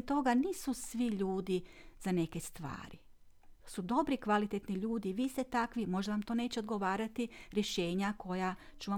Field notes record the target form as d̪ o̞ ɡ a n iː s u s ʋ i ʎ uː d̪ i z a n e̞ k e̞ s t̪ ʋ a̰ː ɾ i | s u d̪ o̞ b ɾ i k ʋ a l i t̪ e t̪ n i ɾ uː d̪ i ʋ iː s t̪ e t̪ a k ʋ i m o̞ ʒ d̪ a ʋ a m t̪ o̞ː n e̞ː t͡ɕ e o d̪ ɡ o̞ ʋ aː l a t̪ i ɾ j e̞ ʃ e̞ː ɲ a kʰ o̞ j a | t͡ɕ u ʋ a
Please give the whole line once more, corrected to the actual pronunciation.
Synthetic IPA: t̪ o̞ ɡ a n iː s u s ʋ i ʎ uː d̪ i z a n e̞ k e̞ s t̪ ʋ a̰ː ɾ i | s u d̪ o̞ b ɾ i k ʋ a l i t̪ e t̪ n i ʎ uː d̪ i ʋ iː s t̪ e t̪ a k ʋ i m o̞ ʒ d̪ a ʋ a m t̪ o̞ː n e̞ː t͡ɕ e o d̪ ɡ o̞ ʋ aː ɾ a t̪ i ɾ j e̞ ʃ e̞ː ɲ a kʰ o̞ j a | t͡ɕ u ʋ a